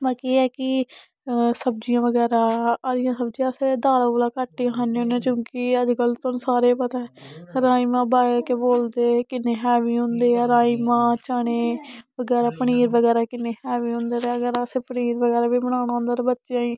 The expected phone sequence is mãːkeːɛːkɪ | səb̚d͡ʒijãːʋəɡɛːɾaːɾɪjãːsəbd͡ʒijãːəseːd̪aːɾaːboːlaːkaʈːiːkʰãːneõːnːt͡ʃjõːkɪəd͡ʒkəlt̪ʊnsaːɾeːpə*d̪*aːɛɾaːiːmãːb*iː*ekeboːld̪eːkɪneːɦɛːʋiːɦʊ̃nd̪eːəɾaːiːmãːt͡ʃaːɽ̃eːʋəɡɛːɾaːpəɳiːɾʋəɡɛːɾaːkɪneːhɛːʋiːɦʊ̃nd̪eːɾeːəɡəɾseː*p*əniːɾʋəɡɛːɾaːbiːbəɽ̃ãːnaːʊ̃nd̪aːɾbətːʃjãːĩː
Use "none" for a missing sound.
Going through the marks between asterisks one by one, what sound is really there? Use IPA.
t̪, aː, p

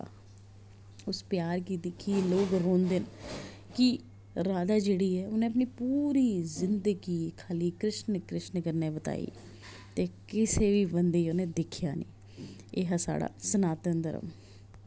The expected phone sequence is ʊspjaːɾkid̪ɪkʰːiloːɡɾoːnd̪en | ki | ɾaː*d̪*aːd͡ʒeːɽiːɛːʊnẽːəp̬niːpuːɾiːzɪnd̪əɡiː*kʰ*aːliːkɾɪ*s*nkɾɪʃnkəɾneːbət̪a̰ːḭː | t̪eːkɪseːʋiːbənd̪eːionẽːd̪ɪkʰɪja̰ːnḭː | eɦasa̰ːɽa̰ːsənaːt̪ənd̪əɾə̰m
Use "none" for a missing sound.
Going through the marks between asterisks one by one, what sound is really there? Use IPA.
d̪, kʰ, ʃ

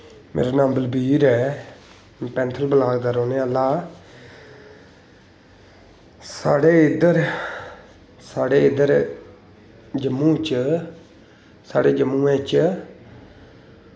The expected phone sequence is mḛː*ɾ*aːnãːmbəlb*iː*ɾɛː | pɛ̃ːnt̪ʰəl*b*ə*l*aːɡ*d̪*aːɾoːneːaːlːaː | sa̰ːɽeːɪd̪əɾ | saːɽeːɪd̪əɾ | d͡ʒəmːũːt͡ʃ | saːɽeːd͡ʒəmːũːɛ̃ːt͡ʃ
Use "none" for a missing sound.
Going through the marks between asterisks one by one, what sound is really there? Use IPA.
ɾ, iː, b, l, d̪

